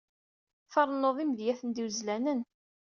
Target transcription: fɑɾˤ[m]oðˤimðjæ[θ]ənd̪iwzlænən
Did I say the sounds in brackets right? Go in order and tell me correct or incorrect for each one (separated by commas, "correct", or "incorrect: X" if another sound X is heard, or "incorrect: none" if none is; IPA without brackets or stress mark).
incorrect: n, correct